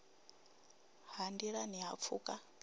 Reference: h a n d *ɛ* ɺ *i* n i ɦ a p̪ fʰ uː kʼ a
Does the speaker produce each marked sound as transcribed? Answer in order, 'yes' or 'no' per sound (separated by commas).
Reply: no, no